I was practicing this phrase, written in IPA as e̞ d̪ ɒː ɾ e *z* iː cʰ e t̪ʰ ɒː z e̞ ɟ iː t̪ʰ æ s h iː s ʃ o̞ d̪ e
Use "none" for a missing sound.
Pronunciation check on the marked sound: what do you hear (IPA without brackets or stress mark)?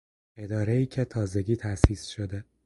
none